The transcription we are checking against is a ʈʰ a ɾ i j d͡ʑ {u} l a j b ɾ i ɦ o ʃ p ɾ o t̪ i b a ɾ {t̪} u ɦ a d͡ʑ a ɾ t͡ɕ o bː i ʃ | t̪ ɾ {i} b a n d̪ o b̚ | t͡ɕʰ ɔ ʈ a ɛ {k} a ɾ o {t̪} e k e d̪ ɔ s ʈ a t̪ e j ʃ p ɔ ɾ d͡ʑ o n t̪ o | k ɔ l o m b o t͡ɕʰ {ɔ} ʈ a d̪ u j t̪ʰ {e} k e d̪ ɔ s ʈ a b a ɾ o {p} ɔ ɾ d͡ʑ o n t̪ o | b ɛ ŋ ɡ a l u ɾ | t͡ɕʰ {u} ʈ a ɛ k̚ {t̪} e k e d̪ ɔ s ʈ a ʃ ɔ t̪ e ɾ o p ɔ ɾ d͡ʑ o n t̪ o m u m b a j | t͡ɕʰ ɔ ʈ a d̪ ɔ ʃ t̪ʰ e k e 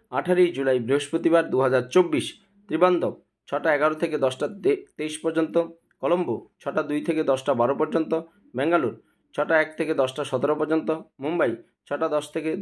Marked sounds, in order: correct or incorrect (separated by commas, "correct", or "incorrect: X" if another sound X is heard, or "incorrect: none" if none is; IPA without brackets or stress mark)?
correct, incorrect: d̪, correct, incorrect: ɡ, incorrect: t̪ʰ, correct, correct, correct, incorrect: ɔ, incorrect: t̪ʰ